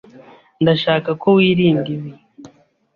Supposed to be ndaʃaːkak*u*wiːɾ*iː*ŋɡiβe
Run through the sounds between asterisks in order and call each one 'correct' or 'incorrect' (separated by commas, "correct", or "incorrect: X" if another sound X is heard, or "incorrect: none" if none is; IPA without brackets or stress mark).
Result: incorrect: o, correct